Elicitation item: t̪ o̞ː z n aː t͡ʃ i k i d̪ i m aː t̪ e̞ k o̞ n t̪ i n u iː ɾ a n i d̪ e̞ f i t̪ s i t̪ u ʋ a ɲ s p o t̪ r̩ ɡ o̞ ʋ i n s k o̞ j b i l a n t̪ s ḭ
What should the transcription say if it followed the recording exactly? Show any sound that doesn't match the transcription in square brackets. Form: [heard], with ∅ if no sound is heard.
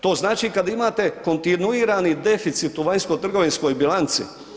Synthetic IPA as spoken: t̪ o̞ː z n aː t͡ʃ i k [a] d̪ i m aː t̪ e̞ k o̞ n t̪ i n u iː ɾ a n i d̪ e̞ f i t̪ s i t̪ u ʋ a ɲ s [k] o t̪ r̩ ɡ o̞ ʋ i n s k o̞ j b i l a n t̪ s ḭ